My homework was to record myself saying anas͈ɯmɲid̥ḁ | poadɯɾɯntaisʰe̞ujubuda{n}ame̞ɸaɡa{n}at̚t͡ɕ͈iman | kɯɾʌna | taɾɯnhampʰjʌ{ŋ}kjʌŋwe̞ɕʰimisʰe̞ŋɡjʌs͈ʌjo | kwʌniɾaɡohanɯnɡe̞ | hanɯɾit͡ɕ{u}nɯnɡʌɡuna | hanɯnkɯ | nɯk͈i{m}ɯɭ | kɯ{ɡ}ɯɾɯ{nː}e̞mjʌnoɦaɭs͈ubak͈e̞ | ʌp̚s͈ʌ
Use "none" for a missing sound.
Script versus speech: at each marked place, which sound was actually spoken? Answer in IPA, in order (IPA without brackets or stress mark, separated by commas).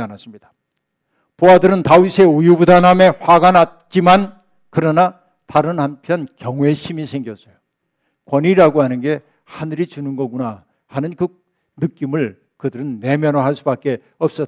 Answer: n, n, n, u, m, d, nː